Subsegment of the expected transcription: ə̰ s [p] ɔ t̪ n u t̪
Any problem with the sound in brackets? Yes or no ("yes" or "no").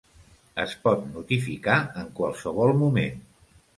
no